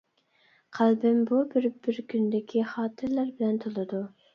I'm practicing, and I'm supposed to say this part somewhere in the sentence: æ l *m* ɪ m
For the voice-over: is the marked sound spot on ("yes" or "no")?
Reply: no